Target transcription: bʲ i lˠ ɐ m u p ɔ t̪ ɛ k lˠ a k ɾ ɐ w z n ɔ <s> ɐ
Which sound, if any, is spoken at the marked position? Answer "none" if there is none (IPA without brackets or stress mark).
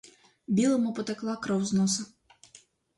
s